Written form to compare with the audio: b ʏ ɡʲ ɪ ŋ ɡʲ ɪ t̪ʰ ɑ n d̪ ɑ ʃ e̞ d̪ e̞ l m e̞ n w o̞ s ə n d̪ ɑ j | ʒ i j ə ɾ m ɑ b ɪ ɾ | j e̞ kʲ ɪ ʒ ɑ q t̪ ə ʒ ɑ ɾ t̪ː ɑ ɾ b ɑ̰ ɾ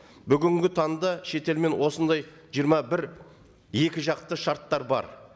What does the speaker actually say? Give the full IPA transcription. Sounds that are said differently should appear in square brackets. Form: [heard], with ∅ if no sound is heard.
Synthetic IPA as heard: b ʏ ɡʲ ɪ ŋ ɡʲ ɪ t̪ʰ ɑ n d̪ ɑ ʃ e̞ [t̪] e̞ l m e̞ n w o̞ s ə n d̪ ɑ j | ʒ i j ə ɾ m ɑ b ɪ ɾ | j e̞ kʲ ɪ ʒ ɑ q t̪ ə [ʃ] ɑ ɾ t̪ː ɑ ɾ b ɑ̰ ɾ